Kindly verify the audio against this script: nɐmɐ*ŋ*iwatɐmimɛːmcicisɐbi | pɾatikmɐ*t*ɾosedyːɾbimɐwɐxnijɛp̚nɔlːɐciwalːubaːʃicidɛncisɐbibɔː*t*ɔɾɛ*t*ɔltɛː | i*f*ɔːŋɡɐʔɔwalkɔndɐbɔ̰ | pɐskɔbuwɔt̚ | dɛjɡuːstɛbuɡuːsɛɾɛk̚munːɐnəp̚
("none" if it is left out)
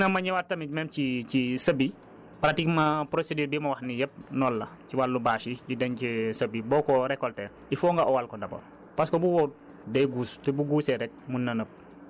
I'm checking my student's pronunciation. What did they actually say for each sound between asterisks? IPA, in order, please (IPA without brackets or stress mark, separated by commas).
ɲ, p, k, k, f